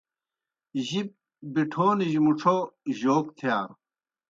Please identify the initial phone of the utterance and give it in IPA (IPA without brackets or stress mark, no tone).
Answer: ʑ